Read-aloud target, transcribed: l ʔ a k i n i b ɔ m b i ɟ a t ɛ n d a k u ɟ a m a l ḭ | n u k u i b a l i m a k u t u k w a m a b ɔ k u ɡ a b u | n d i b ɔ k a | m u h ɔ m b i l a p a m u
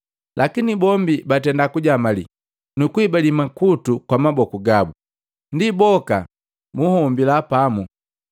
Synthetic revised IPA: l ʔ a k i n i b ɔ m b i b a t ɛ n d a k u ɟ a m a l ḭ | n u k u i b a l i m a k u t u k w a m a b ɔ k u ɡ a b u | n d i b ɔ k a | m u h ɔ m b i l a p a m u